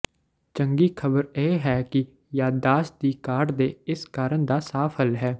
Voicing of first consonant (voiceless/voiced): voiceless